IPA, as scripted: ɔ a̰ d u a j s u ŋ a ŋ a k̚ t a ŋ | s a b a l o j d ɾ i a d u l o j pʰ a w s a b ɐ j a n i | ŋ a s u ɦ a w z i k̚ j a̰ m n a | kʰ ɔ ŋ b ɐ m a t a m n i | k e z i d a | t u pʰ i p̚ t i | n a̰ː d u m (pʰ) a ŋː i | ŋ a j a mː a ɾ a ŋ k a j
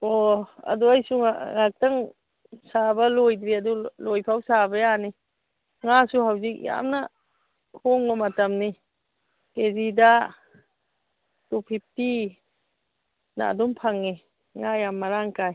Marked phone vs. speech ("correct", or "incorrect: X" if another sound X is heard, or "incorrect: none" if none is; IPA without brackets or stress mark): correct